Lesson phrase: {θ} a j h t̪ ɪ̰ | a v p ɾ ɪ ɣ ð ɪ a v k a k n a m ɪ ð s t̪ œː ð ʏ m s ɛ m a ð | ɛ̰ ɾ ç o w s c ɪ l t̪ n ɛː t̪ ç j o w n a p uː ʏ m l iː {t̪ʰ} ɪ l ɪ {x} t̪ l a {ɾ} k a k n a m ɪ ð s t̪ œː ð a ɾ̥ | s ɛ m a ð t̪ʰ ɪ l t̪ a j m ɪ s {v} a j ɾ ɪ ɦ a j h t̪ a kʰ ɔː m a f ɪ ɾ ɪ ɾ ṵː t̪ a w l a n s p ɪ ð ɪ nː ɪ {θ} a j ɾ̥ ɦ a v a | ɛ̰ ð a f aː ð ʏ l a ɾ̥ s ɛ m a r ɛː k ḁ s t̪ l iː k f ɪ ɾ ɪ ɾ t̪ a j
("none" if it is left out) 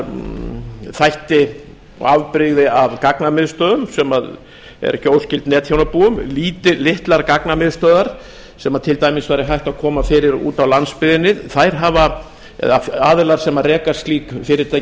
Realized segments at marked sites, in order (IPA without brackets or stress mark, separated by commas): θ, t̪, h, ɾ, v, θ